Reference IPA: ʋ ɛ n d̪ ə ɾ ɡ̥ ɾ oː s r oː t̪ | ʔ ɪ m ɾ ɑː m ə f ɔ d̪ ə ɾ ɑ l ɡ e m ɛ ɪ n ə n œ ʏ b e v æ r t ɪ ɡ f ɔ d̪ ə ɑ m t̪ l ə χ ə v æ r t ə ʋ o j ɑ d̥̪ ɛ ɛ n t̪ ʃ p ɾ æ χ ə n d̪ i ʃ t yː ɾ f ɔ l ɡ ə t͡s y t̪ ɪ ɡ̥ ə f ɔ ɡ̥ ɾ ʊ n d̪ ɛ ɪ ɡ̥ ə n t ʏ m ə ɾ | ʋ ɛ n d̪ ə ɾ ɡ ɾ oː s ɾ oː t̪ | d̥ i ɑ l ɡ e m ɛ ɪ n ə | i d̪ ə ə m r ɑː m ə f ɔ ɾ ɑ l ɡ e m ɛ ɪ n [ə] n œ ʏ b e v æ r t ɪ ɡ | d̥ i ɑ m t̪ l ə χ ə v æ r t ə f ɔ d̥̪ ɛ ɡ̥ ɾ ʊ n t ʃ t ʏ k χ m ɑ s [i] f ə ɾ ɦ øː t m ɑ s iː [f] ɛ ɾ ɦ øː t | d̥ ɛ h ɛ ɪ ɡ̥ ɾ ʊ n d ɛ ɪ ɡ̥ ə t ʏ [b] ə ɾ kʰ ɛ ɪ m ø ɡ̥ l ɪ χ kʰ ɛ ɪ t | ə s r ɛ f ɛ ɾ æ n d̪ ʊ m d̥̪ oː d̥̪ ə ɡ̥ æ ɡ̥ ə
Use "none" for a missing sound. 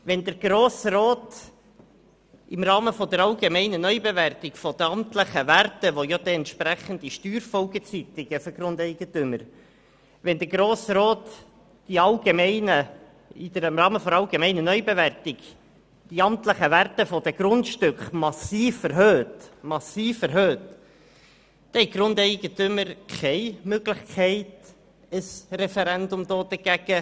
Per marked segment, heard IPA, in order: ə, iː, f, m

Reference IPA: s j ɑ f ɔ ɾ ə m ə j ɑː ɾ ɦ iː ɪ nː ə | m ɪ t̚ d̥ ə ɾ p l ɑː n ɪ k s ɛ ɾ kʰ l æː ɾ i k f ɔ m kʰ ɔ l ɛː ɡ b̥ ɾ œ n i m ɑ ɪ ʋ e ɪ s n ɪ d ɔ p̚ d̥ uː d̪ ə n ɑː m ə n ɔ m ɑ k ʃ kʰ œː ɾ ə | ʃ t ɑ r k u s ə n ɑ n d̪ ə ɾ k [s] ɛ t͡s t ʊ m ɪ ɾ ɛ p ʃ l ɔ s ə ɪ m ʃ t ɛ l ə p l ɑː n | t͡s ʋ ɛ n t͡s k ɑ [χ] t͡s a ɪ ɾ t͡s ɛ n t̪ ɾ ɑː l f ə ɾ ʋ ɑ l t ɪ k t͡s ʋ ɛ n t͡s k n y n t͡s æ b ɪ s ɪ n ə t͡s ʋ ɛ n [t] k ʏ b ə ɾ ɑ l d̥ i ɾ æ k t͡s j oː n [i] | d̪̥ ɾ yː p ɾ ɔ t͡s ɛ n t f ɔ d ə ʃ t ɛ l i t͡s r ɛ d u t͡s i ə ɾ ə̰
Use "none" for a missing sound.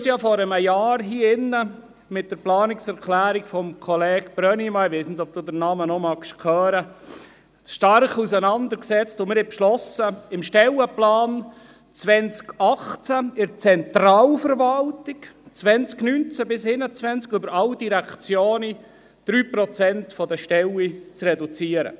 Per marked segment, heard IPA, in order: s, χ, t͡s, i

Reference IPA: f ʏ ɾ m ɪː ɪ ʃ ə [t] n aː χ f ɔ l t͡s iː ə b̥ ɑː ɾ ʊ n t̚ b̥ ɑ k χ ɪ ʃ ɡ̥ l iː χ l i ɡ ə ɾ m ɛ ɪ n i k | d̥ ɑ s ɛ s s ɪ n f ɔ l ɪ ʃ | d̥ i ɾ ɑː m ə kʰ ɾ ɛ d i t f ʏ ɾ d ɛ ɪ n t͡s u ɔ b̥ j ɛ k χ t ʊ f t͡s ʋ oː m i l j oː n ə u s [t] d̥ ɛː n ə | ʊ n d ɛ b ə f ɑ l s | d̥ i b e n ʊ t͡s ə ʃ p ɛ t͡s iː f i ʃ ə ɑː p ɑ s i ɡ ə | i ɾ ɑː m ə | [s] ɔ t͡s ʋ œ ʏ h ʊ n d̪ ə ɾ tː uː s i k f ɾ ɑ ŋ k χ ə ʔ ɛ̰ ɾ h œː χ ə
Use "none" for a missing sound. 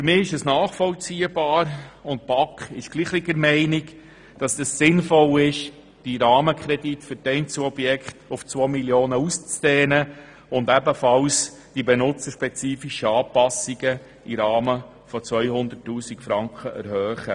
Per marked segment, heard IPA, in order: s, t͡s, f

